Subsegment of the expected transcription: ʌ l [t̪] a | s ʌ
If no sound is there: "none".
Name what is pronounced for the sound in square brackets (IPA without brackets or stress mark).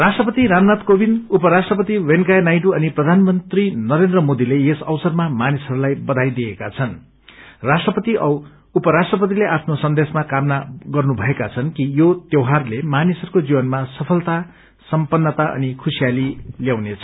t̪